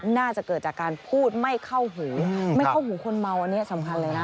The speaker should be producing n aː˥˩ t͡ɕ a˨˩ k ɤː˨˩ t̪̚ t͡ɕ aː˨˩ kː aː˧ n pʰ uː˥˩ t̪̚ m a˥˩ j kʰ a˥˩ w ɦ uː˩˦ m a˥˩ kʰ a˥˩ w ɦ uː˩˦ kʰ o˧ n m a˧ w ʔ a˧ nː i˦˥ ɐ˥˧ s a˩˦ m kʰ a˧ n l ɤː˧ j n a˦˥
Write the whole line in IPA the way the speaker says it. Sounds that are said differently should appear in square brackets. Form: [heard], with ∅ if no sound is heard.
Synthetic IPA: n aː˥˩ t͡ɕ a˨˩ k ɤː˨˩ t̪̚ t͡ɕ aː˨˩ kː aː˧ n pʰ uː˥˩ t̪̚ m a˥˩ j kʰ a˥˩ w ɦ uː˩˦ m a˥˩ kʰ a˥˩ w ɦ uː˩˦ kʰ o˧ n m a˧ w ʔ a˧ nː i˦˥ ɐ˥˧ s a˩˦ m kʰ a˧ n l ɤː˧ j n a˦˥